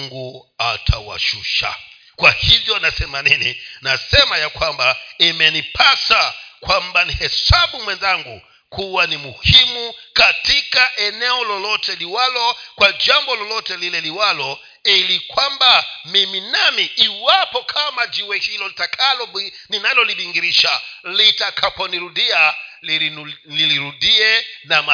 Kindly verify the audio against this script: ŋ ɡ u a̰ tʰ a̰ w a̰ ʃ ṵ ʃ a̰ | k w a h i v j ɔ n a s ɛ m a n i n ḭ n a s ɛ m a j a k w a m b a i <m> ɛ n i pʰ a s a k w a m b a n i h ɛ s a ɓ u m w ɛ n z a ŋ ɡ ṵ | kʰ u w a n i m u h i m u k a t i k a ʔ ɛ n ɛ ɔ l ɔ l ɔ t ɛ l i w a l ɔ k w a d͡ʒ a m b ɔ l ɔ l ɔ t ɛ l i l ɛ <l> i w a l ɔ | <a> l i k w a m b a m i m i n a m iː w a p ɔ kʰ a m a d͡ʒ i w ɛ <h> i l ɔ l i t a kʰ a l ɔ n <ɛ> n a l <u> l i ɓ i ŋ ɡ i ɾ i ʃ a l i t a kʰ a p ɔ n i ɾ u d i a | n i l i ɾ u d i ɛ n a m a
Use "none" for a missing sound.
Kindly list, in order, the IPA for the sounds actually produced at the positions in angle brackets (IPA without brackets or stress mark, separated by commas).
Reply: m, l, i, h, i, ɔ